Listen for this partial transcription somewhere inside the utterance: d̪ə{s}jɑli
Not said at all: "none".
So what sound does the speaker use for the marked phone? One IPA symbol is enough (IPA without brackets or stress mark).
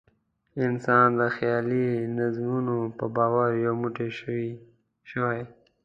x